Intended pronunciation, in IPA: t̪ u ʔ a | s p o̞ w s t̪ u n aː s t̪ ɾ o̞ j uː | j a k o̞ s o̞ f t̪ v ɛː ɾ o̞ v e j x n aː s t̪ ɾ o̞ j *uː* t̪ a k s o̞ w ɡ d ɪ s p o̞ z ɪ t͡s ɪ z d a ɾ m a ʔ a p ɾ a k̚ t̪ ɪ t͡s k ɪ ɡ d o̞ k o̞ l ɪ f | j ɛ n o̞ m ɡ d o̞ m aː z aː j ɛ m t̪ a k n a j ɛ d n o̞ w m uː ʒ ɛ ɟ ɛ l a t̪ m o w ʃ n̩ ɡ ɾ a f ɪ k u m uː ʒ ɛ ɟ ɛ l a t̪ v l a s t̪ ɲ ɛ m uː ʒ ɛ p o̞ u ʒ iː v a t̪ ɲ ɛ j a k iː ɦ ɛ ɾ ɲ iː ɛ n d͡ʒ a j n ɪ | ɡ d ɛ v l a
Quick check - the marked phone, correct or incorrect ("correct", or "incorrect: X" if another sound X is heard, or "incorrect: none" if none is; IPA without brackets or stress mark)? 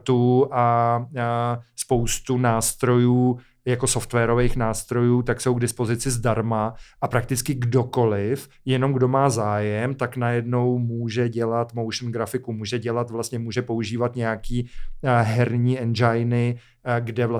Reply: correct